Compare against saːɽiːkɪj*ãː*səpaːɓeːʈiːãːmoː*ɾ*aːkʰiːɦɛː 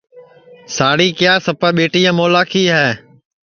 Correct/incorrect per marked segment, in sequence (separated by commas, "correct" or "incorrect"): incorrect, incorrect